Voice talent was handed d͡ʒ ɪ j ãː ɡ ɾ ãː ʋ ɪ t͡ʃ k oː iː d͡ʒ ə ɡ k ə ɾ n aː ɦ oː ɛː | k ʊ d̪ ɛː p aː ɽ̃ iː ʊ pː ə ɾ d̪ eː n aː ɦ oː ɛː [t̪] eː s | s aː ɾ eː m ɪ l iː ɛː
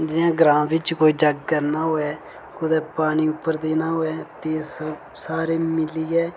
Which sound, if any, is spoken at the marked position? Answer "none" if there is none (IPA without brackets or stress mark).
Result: t̪